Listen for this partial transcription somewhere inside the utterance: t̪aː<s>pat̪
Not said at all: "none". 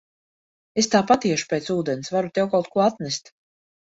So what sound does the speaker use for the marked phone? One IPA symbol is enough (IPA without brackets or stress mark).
none